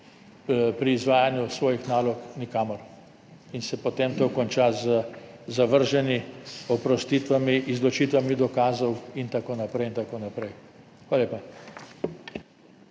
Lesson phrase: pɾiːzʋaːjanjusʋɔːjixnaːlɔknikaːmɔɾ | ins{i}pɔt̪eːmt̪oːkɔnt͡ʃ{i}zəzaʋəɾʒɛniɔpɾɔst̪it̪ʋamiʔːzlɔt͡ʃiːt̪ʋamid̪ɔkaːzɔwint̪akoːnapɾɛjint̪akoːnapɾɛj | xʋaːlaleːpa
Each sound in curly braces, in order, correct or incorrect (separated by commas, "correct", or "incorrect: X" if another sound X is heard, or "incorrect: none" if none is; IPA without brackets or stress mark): incorrect: ɛ, incorrect: a